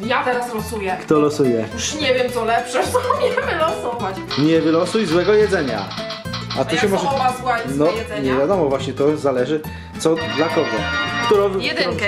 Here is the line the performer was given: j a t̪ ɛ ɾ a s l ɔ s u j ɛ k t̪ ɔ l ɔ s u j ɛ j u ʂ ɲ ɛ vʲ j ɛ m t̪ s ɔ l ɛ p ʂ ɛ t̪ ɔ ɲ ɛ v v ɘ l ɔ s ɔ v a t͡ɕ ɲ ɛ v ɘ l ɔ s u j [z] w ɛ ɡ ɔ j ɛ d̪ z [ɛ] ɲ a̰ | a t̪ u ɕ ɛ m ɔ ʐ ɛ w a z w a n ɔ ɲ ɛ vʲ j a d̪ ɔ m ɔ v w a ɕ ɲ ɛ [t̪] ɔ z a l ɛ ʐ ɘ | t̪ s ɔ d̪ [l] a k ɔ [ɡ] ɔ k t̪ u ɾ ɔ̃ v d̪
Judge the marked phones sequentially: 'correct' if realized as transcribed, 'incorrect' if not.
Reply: correct, correct, correct, correct, correct

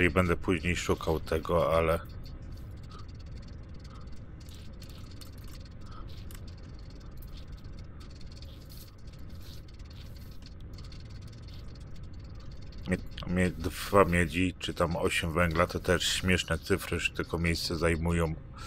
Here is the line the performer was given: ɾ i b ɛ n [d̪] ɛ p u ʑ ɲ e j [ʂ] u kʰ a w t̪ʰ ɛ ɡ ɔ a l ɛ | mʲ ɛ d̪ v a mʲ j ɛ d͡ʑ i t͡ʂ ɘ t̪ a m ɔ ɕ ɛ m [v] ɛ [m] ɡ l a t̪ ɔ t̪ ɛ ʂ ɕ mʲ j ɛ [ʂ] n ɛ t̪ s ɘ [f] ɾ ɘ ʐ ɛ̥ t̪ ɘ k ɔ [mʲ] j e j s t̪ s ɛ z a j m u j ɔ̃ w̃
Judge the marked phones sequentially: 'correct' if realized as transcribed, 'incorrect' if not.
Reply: correct, correct, correct, incorrect: ŋ, correct, correct, correct

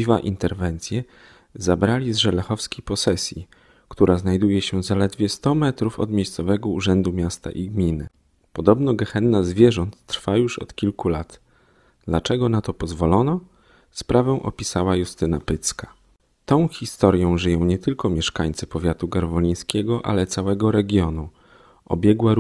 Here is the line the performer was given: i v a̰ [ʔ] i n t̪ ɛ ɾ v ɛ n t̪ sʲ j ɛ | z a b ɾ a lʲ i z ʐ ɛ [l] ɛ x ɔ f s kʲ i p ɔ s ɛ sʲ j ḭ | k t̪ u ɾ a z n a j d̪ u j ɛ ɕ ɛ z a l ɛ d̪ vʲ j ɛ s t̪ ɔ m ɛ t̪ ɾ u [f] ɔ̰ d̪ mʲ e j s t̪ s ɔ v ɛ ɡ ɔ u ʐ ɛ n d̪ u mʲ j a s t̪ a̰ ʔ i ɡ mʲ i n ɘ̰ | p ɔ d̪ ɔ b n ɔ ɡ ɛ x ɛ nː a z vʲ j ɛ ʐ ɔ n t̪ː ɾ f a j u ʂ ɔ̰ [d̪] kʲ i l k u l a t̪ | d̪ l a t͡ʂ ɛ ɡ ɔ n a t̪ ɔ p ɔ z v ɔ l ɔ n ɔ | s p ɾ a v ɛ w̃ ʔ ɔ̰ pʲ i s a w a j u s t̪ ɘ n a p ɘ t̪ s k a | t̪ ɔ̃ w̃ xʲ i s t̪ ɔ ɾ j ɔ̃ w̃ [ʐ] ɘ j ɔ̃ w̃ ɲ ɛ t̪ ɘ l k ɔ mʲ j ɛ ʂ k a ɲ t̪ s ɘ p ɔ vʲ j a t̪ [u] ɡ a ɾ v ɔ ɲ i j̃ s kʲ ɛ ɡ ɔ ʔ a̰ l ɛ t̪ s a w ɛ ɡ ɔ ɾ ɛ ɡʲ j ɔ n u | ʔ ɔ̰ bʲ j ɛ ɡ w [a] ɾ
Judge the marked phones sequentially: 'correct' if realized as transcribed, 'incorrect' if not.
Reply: correct, correct, correct, incorrect: t̪, correct, correct, correct

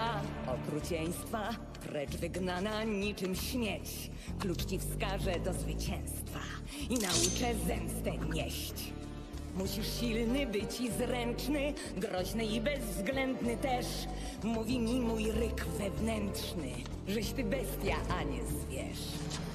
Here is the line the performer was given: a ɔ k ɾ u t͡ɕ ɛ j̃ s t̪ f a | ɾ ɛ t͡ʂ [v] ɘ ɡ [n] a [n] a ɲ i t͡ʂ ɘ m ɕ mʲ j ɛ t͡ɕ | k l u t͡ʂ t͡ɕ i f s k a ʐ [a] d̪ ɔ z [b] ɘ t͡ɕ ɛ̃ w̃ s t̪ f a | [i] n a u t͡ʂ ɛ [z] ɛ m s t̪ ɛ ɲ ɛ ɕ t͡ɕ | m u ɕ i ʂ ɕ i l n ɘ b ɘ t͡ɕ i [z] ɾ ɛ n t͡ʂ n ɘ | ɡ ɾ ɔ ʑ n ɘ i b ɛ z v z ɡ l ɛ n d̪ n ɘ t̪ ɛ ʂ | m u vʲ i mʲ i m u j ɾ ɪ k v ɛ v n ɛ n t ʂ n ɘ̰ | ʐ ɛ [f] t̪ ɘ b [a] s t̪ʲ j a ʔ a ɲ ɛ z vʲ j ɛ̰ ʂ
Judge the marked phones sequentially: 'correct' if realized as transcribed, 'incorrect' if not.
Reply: correct, correct, correct, incorrect: ɛ, incorrect: v, correct, correct, correct, incorrect: ɕ, incorrect: ɛ

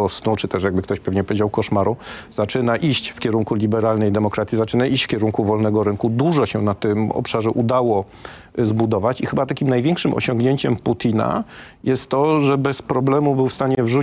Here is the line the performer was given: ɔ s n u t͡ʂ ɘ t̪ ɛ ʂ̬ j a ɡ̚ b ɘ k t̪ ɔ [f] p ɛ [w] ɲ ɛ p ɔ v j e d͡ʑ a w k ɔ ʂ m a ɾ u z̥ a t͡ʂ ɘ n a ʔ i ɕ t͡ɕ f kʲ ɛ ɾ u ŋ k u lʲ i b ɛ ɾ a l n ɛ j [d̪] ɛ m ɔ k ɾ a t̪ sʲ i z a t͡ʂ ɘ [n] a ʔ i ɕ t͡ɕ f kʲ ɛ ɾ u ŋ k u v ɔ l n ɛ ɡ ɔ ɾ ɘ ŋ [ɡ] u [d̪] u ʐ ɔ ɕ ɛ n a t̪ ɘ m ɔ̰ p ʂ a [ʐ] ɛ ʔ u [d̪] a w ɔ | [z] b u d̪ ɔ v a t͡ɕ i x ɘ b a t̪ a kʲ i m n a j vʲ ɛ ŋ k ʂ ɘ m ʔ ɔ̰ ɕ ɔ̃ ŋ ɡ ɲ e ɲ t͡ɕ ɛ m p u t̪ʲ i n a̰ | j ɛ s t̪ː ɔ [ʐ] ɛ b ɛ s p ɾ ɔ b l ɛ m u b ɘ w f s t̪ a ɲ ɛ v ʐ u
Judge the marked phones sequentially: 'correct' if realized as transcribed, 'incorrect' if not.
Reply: incorrect: ɕ, incorrect: v, correct, correct, incorrect: k, correct, correct, correct, correct, correct

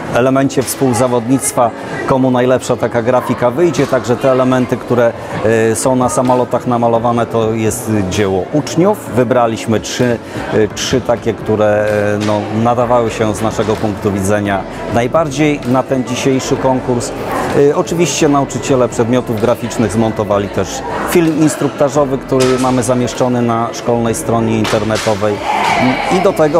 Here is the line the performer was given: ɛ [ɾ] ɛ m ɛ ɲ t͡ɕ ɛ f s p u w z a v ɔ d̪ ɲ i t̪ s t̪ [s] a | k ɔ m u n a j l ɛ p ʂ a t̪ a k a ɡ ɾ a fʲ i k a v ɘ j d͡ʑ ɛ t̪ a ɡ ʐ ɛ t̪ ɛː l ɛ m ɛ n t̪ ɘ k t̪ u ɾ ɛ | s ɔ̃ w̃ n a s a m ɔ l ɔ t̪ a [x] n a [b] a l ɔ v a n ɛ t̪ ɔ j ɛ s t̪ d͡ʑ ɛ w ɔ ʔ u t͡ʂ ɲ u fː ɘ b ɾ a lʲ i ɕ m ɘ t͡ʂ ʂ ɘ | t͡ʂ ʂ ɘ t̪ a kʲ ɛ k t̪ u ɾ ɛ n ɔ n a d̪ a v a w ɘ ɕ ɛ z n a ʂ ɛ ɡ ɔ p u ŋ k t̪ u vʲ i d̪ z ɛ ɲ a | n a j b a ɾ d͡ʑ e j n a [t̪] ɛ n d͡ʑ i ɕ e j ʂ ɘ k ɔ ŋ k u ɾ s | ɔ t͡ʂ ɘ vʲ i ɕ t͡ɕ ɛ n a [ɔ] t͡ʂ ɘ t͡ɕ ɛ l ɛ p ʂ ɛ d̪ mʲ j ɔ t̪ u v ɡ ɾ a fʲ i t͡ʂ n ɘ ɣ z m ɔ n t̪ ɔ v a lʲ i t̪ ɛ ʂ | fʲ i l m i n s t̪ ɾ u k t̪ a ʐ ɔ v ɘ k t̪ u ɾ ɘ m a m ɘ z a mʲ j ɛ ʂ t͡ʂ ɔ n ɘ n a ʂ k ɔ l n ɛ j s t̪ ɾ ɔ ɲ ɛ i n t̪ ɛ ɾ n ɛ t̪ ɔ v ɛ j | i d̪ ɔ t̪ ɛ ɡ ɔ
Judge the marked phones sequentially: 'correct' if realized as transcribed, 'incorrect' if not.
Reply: incorrect: l, incorrect: f, correct, incorrect: m, correct, incorrect: u

